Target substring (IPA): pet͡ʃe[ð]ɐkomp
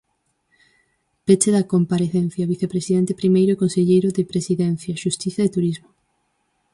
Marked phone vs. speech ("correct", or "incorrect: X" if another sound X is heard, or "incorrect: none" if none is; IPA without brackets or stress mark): correct